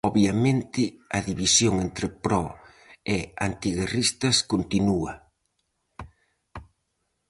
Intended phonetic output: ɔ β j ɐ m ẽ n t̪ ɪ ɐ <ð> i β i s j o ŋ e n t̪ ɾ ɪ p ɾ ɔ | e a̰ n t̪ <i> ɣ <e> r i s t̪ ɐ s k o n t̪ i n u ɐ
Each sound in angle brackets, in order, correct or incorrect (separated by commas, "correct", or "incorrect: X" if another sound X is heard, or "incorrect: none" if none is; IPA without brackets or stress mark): correct, correct, correct